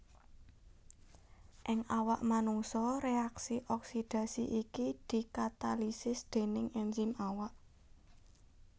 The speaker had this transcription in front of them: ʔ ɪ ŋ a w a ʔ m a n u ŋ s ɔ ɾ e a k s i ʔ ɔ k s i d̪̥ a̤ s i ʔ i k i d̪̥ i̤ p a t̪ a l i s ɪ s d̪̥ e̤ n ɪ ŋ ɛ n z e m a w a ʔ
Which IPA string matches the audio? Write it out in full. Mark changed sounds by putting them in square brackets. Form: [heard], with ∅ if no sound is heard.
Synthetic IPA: ʔ ɪ ŋ a w a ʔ m a n u ŋ s ɔ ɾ e a k s i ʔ ɔ k s i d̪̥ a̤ s i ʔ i k i d̪̥ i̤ [k] a t̪ a l i s ɪ s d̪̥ e̤ n ɪ ŋ ɛ n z [i] m a w a ʔ

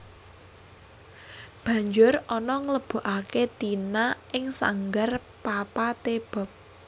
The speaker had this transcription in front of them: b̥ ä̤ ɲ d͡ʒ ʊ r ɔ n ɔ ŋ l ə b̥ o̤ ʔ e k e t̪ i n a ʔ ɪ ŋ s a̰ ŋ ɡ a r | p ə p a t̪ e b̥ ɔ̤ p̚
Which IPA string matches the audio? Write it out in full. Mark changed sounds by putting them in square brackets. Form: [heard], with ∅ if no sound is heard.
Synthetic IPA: b̥ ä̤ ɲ d͡ʒ ʊ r ɔ n ɔ ŋ l ə b̥ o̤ ʔ [a] k e t̪ i n a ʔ ɪ ŋ s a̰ ŋ ɡ a r | p [a] p a t̪ e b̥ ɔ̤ p̚

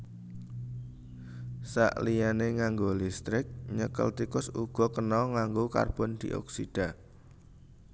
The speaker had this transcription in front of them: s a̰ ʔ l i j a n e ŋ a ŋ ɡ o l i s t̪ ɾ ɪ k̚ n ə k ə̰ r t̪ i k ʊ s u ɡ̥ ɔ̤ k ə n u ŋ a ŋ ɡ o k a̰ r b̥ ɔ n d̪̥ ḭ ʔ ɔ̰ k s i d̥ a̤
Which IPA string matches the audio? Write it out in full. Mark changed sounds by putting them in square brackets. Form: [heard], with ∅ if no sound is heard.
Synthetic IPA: s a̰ ʔ l i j a n e ŋ a ŋ ɡ o l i s t̪ ɾ ɪ k̚ [ɲ] ə k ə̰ [l] t̪ i k ʊ s u ɡ̥ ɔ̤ k ə n [ɔ] ŋ a ŋ ɡ o k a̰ r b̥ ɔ n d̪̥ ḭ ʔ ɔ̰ k s i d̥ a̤

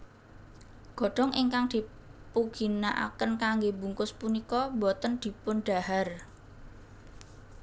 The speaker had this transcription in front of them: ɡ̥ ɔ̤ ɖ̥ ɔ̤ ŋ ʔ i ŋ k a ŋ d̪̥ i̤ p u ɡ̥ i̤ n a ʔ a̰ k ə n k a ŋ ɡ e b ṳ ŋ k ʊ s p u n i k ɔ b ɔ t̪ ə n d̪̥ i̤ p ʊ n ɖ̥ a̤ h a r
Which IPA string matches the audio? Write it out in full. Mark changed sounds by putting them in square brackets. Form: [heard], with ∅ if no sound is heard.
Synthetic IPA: ɡ̥ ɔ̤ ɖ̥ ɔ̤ ŋ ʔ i ŋ k a ŋ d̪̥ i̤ p u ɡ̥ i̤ n a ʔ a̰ k ə n k a ŋ ɡ e b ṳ ŋ k ʊ s p u n i k ɔ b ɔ t̪ ə n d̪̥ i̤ p ʊ n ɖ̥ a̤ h a r

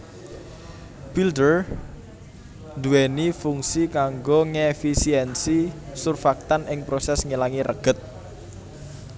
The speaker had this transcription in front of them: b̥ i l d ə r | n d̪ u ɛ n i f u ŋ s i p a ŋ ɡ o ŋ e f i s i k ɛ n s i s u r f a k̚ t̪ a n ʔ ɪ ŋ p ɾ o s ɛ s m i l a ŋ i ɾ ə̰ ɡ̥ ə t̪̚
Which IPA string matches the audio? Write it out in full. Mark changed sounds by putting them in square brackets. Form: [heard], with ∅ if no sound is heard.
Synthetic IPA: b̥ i l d ə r | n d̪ u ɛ n i f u ŋ s i [k] a ŋ ɡ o ŋ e f i s i [∅] ɛ n s i s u r f a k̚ t̪ a n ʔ ɪ ŋ p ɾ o s ɛ s [ŋ] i l a ŋ i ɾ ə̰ ɡ̥ ə t̪̚

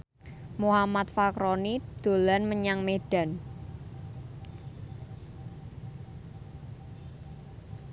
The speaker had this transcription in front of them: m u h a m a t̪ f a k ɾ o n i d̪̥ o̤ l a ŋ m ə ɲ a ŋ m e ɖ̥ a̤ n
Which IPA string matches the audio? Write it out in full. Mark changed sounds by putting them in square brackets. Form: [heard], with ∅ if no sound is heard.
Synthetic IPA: m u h a m a t̪ f a k ɾ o n i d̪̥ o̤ l a [n] m ə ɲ a ŋ m e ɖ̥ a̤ n

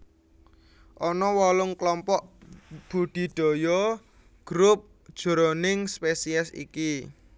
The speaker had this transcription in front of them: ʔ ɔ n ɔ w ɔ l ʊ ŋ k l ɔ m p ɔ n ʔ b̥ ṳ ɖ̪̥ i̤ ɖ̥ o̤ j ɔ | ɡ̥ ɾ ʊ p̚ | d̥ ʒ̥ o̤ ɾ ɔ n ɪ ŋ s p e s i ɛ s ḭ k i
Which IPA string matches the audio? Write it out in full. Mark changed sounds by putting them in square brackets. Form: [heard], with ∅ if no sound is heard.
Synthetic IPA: ʔ ɔ n ɔ w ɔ l ʊ ŋ k l ɔ m p ɔ [∅] ʔ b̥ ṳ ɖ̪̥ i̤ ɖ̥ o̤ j ɔ | ɡ̥ ɾ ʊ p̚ | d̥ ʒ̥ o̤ ɾ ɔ n ɪ ŋ s p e s i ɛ s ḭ k i

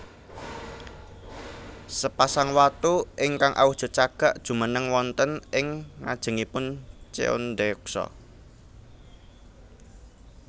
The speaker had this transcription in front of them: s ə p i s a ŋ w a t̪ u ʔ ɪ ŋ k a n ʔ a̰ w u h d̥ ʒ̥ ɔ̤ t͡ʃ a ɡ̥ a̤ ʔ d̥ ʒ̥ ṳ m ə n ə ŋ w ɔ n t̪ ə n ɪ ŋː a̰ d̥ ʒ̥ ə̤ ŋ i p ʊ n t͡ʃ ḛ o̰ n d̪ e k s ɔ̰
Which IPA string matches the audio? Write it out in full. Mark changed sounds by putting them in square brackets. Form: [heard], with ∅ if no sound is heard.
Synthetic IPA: s ə p [a] s a ŋ w a t̪ u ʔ ɪ ŋ k a [ŋ] ʔ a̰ w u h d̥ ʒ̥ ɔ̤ t͡ʃ a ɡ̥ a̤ ʔ d̥ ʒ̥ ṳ m ə n ə ŋ w ɔ n t̪ ə n ɪ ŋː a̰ d̥ ʒ̥ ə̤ ŋ i p ʊ n t͡ʃ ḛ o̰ n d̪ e k s ɔ̰

